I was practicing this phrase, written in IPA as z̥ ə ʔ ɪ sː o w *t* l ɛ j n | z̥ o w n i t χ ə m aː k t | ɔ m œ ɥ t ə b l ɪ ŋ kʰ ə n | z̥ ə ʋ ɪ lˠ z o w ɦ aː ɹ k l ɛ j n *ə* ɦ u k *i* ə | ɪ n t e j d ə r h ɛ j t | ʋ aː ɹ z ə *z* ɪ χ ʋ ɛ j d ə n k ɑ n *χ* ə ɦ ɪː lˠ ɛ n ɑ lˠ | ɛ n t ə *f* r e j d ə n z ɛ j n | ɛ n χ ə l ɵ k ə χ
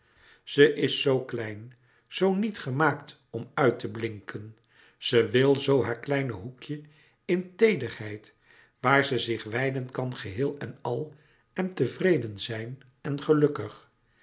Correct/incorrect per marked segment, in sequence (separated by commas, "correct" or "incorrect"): incorrect, correct, incorrect, correct, correct, incorrect